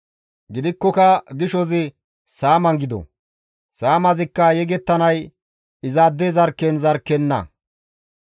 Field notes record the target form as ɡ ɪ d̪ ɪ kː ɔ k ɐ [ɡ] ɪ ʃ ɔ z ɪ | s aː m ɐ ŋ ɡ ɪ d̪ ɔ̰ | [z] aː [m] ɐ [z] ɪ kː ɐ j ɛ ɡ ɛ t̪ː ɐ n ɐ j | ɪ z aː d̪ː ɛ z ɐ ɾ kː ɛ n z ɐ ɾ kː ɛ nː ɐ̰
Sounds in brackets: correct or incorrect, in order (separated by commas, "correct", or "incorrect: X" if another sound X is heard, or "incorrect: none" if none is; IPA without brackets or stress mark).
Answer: correct, incorrect: s, correct, correct